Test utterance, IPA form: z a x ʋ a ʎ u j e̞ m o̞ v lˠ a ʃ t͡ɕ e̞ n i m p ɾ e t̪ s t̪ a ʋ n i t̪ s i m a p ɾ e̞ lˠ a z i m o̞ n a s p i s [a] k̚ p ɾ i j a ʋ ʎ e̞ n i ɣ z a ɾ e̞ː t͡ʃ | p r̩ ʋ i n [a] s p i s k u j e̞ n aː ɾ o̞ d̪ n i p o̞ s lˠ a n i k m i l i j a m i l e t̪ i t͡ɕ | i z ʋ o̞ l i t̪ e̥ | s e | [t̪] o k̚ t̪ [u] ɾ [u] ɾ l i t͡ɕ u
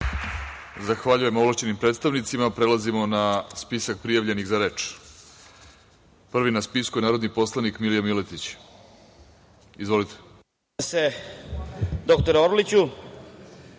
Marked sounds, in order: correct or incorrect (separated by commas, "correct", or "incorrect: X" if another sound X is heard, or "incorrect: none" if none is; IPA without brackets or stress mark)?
correct, correct, incorrect: d̪, incorrect: o, incorrect: o